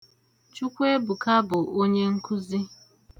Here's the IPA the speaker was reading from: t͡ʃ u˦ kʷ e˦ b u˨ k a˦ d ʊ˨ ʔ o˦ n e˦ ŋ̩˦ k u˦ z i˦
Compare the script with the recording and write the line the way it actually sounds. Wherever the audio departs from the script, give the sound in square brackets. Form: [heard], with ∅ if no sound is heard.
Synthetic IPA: t͡ʃ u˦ kʷ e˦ b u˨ k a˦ [b] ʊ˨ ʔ o˦ [ɲ] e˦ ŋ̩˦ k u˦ z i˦